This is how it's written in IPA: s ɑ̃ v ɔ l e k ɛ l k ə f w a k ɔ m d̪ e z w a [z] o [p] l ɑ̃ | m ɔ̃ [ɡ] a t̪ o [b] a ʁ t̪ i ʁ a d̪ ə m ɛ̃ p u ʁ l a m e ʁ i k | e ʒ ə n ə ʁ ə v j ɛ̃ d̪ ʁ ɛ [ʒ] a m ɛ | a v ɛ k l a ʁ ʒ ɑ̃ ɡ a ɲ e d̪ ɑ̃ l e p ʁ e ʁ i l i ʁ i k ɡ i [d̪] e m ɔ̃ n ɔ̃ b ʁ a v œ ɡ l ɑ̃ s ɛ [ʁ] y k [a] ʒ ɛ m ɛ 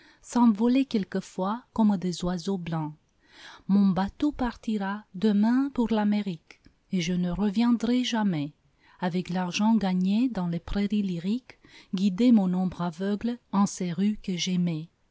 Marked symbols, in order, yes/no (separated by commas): yes, no, no, no, yes, yes, yes, no